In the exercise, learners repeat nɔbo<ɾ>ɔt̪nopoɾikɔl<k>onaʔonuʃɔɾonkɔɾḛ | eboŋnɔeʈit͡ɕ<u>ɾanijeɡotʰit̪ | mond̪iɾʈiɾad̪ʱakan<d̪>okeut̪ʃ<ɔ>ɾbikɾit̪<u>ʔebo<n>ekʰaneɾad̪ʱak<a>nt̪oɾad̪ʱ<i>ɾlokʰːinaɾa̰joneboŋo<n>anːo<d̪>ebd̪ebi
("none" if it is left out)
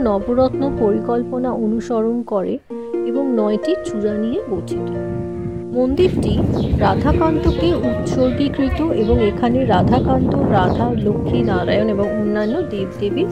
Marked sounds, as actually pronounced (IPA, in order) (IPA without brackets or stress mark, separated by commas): ɾ, p, u, t̪, o, o, ŋ, a, a, nː, d̪